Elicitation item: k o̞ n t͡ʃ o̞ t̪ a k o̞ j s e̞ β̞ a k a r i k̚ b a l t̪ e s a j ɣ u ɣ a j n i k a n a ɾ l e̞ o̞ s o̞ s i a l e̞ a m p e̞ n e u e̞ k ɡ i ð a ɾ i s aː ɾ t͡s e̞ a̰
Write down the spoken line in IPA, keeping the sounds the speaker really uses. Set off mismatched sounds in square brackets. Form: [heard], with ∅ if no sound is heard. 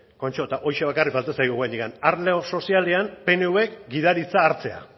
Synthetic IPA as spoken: k o̞ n t͡ʃ o̞ t̪ a [ʔ] o̞ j [ʃ] e̞ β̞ a k a r i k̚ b a l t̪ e s a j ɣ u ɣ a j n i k a n a ɾ l e̞ o̞ s o̞ s i a l e̞ a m p e̞ n e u e̞ k ɡ i ð a ɾ i [t͡s] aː ɾ t͡s e̞ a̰

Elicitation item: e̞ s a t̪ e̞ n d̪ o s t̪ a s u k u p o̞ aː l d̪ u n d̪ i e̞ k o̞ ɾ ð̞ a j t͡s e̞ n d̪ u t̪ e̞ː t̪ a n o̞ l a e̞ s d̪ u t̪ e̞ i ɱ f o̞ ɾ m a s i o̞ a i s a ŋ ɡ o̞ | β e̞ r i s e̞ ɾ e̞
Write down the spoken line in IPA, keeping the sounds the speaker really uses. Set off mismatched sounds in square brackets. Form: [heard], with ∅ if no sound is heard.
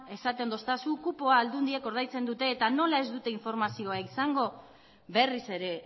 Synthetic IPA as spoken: e̞ s a t̪ e̞ n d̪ o s t̪ a s u k u p o̞ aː l d̪ u n d̪ i e̞ k o̞ ɾ ð̞ a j t͡s e̞ n d̪ u t̪ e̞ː t̪ a n o̞ l a e̞ [z] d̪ u t̪ e̞ i ɱ f o̞ ɾ m a s i o̞ a i s a ŋ ɡ o̞ | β e̞ r i s e̞ ɾ e̞

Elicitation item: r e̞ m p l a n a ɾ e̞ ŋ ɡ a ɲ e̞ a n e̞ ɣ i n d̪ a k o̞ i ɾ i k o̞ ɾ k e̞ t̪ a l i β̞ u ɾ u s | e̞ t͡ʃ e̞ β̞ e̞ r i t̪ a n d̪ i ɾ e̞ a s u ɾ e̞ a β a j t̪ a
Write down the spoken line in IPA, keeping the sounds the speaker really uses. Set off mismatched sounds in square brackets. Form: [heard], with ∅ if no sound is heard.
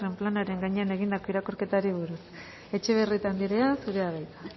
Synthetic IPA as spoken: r e̞ m p l a n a ɾ e̞ ŋ ɡ a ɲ e̞ a n e̞ ɣ i n d̪ a k o̞ i ɾ [a] k o̞ ɾ k e̞ t̪ a [ɾ] i β̞ u ɾ u s | e̞ t͡ʃ e̞ β̞ e̞ r i t̪ a n d̪ i ɾ e̞ a s u ɾ e̞ a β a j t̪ a

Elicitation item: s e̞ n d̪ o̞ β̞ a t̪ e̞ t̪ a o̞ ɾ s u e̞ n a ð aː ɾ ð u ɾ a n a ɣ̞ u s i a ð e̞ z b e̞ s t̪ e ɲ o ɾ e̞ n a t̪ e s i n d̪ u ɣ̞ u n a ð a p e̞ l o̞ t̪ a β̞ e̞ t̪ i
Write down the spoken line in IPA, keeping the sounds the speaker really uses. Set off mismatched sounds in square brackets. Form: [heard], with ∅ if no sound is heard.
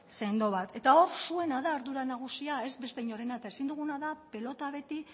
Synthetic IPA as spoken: s e̞ n d̪ o̞ β̞ a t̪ e̞ t̪ a o̞ ɾ s u e̞ n a ð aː ɾ ð u ɾ a n a ɣ̞ u s i a [∅] e̞ z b e̞ s t̪ e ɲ o ɾ e̞ n a t̪ e s i n d̪ u ɣ̞ u n a ð a p e̞ l o̞ t̪ a β̞ e̞ t̪ i

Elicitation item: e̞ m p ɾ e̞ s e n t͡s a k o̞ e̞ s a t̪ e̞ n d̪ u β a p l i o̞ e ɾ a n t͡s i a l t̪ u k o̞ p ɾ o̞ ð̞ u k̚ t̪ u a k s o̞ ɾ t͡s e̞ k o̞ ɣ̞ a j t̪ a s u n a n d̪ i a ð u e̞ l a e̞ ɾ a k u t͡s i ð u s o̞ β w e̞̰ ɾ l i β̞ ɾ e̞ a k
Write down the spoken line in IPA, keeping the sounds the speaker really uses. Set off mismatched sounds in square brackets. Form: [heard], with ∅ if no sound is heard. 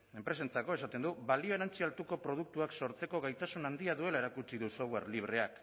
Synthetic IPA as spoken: e̞ m p ɾ e̞ s e n t͡s a k o̞ e̞ s a t̪ e̞ n d̪ u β a [∅] l i o̞ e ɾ a n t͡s i a l t̪ u k o̞ p ɾ o̞ ð̞ u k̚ t̪ u a k s o̞ ɾ t͡s e̞ k o̞ ɣ̞ a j t̪ a s u n a n d̪ i a ð u e̞ l a e̞ ɾ a k u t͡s i ð u s o̞ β w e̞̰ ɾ l i β̞ ɾ e̞ a k

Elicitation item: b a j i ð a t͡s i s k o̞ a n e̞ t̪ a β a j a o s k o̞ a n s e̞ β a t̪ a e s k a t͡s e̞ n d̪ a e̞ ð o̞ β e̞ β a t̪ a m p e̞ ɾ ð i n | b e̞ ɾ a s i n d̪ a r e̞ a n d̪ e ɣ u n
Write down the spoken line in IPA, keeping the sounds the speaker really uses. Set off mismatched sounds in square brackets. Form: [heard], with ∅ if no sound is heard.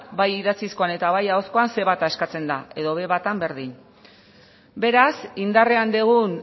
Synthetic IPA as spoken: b a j i ð a t͡s i s k o̞ a n e̞ t̪ a β a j a o s k o̞ a n s e̞ β a t̪ a e s k a t͡s e̞ n d̪ a e̞ ð o̞ β e̞ β a t̪ a m [b] e̞ ɾ ð i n | b e̞ ɾ a s i n d̪ a r e̞ a n d̪ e ɣ u n

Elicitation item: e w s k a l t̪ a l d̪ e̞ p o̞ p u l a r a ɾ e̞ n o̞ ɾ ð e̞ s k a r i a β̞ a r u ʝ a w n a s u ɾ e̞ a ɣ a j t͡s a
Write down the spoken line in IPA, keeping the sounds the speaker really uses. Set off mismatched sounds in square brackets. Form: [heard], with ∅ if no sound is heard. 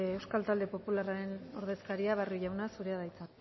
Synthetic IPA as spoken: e w s k a l t̪ a l d̪ e̞ p o̞ p u l a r a ɾ e̞ n o̞ ɾ ð e̞ s k a [ɾ] i a β̞ a r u ʝ a w n a s u ɾ e̞ a [ð] a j t͡s a

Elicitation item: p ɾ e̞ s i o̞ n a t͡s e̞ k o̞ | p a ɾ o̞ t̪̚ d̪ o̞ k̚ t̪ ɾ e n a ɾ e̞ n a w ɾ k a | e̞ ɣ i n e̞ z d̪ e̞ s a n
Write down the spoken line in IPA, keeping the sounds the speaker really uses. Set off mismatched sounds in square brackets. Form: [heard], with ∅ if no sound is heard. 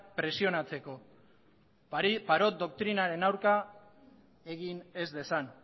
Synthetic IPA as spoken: p ɾ e̞ s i o̞ n a t͡s e̞ k o̞ | p a ɾ o̞ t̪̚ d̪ o̞ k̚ t̪ ɾ [i] n a ɾ e̞ n a w ɾ k a | e̞ ɣ i n e̞ z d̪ e̞ s a n

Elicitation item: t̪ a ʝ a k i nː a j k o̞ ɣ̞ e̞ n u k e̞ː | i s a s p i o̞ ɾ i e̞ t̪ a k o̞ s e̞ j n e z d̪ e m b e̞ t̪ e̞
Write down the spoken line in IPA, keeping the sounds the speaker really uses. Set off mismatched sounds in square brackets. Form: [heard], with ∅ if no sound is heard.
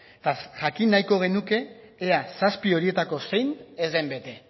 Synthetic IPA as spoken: t̪ a ʝ a k i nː a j k o̞ ɣ̞ e̞ n u k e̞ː | [a] s a s p i o̞ ɾ i e̞ t̪ a k o̞ s e̞ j n e z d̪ e m b e̞ t̪ e̞

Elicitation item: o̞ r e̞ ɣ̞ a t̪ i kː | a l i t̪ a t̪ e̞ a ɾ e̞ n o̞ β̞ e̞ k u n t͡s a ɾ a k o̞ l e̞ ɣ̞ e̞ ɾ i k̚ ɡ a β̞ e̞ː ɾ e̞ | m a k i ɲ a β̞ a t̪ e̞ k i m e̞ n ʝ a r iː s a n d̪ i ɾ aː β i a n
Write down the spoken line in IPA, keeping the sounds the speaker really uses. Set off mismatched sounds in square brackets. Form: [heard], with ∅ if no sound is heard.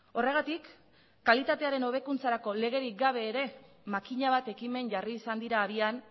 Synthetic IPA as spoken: o̞ r e̞ ɣ̞ a t̪ i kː | a l i t̪ a t̪ e̞ a ɾ e̞ n o̞ β̞ e̞ k u n t͡s a ɾ a k o̞ l e̞ ɣ̞ e̞ ɾ i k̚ ɡ a β̞ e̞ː ɾ e̞ | m a k i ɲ a β̞ a t̪ e̞ k i m e̞ n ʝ a r iː s a n d̪ i ɾ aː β i a n

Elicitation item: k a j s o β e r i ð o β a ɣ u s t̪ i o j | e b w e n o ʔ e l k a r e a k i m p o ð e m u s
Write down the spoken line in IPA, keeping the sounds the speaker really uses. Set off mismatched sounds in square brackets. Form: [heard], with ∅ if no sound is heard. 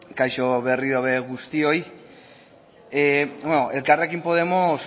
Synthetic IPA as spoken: k a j [ʃ] o β e r i ð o β [e] ɣ u s t̪ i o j | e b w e n o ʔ e l k a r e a k i m p o ð e m [o] s

